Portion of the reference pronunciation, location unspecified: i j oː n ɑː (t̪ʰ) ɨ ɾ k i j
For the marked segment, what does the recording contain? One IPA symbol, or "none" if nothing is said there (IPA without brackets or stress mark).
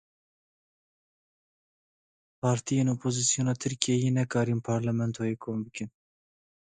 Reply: t̪ʰ